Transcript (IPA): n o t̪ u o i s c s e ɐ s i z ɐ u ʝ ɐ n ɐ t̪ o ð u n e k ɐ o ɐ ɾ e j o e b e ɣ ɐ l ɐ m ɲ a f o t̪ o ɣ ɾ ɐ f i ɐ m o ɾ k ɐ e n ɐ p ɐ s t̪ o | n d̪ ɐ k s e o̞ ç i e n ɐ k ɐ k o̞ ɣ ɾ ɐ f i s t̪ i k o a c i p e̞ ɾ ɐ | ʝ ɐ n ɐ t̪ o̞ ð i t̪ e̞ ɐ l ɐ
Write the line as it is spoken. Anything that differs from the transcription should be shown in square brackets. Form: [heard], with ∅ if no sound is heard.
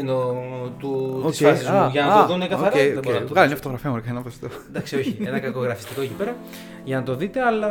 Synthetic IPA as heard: n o t̪ u o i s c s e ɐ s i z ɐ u ʝ ɐ n ɐ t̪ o ð u n e k ɐ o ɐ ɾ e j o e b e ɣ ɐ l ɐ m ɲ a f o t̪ o ɣ ɾ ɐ f i ɐ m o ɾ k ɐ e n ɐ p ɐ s t̪ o | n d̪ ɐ k s [i] o̞ ç i e n ɐ k ɐ k o̞ ɣ ɾ ɐ f i s t̪ i k o [e] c i p e̞ ɾ ɐ | ʝ ɐ n ɐ t̪ o̞ ð i t̪ e̞ ɐ l ɐ